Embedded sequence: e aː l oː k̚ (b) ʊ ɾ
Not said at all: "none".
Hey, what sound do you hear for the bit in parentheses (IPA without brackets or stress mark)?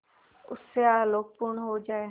p